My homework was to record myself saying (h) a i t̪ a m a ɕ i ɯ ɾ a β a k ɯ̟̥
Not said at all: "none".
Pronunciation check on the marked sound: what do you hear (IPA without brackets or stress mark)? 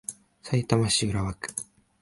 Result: s